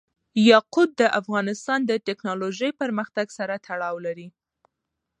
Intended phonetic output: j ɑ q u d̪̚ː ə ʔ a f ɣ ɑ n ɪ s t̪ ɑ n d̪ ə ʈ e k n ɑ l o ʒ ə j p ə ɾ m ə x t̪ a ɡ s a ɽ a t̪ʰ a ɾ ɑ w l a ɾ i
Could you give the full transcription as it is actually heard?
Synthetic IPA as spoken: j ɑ q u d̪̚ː ə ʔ a f ɣ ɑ n ɪ s t̪ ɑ n d̪ ə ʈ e k n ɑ l o ʒ ə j p ə ɾ m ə x t̪ a ɡ s a ɾ a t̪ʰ a ɽ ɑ w l a ɾ i